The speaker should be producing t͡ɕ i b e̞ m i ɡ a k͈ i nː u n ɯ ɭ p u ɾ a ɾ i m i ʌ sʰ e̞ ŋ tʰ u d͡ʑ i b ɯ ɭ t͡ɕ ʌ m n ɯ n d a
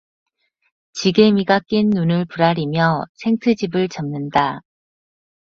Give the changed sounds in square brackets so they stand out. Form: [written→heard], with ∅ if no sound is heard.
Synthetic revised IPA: t͡ɕ i [b→ɡ] e̞ m i ɡ a k͈ i nː u n ɯ ɭ p u ɾ a ɾ i m [i→j] ʌ sʰ e̞ ŋ tʰ [u→ɯ] d͡ʑ i b ɯ ɭ t͡ɕ ʌ m n ɯ n d a